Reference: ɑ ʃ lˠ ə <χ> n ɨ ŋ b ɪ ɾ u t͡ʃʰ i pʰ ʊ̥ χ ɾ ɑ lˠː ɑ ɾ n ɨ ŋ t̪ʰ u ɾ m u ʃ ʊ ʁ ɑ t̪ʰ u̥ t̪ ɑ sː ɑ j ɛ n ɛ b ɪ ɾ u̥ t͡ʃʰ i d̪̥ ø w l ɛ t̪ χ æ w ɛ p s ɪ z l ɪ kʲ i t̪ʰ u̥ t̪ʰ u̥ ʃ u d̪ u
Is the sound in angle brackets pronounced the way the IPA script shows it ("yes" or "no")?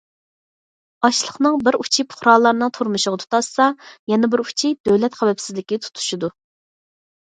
yes